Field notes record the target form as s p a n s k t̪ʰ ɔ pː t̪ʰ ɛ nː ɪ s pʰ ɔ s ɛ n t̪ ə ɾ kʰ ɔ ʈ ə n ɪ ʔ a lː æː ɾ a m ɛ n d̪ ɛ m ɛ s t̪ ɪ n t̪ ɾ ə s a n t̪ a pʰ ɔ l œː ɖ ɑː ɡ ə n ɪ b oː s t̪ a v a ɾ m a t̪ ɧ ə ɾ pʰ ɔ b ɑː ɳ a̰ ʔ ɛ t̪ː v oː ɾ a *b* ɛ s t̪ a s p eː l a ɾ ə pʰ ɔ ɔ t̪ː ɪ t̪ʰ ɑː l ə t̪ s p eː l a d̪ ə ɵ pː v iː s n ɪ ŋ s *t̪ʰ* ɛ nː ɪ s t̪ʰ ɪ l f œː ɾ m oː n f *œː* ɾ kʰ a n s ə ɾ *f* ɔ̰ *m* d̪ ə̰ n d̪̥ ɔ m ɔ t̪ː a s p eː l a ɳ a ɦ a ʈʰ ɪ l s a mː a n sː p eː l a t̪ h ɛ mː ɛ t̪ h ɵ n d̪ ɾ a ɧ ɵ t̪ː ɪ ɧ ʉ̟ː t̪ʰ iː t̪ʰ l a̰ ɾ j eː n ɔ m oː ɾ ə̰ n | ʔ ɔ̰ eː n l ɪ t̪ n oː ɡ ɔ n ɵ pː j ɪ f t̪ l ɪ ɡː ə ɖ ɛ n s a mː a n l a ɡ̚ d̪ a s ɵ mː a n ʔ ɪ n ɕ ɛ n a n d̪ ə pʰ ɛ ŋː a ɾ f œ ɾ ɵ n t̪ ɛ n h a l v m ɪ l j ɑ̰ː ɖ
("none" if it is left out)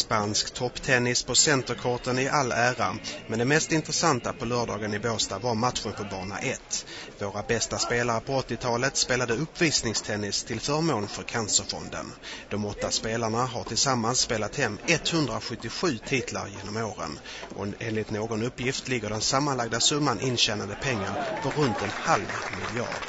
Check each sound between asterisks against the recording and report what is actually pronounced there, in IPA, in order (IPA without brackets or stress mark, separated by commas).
b, t̪ʰ, œ, f, n